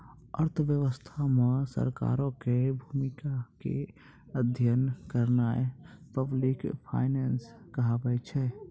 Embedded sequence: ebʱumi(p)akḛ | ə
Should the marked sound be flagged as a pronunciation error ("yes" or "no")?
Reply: yes